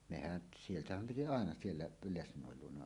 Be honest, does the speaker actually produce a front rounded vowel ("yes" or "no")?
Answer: no